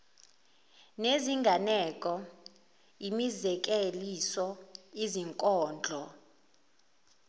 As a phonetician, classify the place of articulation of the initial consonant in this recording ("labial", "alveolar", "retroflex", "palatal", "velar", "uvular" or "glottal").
alveolar